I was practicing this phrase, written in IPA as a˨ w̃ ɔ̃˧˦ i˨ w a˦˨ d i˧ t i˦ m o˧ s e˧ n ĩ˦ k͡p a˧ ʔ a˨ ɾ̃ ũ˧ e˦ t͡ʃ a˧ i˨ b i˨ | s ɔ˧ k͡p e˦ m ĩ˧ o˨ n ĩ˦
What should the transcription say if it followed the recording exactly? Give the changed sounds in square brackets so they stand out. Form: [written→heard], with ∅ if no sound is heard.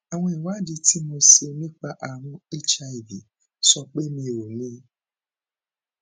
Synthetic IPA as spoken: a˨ w̃ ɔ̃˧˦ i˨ w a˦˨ d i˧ t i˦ m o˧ s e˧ n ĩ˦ k͡p a˧ ʔ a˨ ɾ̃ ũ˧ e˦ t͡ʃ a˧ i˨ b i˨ | s ɔ˧ k͡p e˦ m ĩ˧ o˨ n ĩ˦